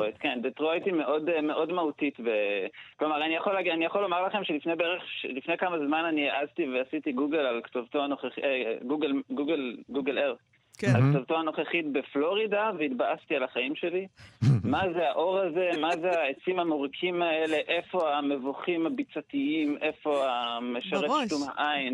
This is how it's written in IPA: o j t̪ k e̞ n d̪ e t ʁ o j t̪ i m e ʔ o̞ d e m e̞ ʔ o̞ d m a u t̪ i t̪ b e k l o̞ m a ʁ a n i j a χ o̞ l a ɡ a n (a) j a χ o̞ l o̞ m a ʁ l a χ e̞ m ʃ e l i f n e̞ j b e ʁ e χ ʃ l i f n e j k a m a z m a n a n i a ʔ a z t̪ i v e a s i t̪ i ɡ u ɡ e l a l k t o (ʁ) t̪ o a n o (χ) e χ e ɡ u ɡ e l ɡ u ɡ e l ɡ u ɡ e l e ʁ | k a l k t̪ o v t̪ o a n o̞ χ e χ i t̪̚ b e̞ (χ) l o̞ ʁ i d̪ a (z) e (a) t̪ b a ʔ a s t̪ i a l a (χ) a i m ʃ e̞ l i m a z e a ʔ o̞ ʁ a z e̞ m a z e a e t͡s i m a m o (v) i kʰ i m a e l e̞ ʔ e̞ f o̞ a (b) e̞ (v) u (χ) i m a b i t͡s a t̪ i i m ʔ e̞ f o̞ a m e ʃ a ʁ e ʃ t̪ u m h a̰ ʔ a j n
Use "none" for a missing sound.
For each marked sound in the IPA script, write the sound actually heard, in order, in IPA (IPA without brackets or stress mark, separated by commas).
i, v, χ, f, v, i, χ, ʁ, m, v, χ